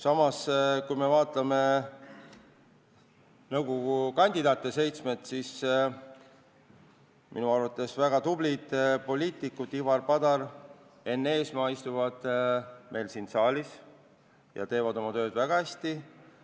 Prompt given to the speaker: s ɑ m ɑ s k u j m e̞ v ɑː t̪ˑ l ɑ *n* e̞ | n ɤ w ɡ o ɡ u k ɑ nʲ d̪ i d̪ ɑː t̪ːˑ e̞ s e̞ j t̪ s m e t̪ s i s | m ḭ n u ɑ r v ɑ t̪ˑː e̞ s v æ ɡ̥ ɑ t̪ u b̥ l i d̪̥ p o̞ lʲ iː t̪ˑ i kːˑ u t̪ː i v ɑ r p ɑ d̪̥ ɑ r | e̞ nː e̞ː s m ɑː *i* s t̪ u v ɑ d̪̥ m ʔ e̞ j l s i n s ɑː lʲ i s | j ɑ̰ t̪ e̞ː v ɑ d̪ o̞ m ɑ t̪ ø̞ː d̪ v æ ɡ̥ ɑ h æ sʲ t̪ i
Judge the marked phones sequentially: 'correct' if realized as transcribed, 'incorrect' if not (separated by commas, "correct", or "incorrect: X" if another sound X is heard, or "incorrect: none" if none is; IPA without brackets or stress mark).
incorrect: m, correct